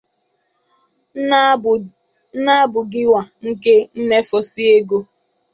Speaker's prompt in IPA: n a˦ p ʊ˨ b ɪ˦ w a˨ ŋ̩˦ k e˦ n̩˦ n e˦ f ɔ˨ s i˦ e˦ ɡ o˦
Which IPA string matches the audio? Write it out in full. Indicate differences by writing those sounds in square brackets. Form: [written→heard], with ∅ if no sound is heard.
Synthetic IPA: n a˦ [p→b] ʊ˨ [b→ɡ] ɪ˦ w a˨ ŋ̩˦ k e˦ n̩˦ n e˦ f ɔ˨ s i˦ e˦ ɡ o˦